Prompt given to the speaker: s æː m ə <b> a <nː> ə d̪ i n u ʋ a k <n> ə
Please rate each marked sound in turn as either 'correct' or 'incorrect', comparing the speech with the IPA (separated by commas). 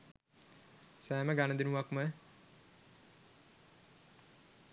incorrect, incorrect, incorrect